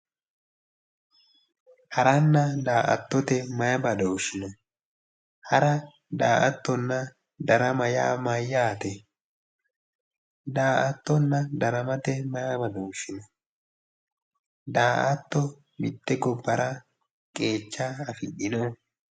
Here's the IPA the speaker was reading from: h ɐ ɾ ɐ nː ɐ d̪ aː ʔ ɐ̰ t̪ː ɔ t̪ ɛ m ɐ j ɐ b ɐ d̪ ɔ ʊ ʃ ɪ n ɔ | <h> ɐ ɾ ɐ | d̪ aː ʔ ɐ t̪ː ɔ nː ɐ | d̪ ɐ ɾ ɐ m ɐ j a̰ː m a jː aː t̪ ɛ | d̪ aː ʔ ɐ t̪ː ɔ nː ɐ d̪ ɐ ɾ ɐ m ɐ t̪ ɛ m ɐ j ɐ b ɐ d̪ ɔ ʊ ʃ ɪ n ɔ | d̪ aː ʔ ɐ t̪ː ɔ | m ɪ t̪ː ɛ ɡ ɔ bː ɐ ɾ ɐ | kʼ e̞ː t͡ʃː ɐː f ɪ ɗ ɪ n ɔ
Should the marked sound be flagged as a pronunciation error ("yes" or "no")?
no